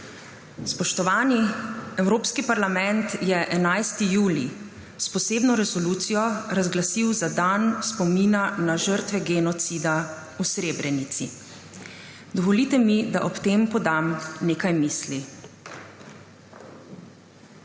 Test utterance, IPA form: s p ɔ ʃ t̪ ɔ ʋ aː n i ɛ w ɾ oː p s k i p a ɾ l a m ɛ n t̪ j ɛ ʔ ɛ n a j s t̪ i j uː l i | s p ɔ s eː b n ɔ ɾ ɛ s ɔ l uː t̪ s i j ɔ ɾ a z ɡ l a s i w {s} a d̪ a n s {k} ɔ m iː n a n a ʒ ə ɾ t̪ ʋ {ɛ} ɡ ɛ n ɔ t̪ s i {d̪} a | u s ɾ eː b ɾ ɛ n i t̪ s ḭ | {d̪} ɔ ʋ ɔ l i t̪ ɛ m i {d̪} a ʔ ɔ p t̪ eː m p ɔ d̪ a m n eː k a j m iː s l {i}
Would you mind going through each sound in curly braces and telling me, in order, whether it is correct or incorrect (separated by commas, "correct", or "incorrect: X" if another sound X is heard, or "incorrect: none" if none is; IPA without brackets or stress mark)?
incorrect: z, incorrect: p, correct, correct, correct, correct, correct